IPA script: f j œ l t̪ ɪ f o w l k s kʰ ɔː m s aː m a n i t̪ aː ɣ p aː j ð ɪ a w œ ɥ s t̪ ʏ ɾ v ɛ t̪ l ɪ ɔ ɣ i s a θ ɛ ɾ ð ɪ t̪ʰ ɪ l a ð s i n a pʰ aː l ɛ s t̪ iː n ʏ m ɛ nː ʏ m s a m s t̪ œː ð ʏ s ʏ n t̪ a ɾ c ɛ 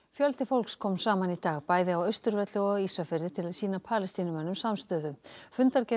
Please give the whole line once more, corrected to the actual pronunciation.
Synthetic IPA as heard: f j œ l t̪ ɪ f o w l k s kʰ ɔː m s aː m a n i t̪ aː ɣ p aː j ð ɪ a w œ ɥ s t̪ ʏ ɾ v ɛ t̪ l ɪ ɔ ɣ i s a f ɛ ɾ ð ɪ t̪ʰ ɪ l a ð s iː n a pʰ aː l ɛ s t̪ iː n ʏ m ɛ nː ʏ m s a m s t̪ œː ð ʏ f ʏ n t̪ a ɾ c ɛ